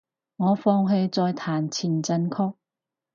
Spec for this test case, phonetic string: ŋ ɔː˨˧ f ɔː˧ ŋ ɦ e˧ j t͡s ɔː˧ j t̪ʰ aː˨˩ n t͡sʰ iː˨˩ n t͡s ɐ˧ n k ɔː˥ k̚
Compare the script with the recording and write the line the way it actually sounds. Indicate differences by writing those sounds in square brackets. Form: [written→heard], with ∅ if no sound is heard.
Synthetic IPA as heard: ŋ ɔː˨˧ f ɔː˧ ŋ ɦ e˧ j t͡s ɔː˧ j t̪ʰ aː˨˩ n t͡sʰ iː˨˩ n t͡s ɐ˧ n [k→kʰ] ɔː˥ k̚